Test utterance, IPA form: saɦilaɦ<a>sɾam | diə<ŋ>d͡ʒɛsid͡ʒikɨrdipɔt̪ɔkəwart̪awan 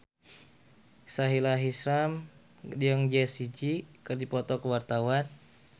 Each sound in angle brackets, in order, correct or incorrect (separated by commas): incorrect, correct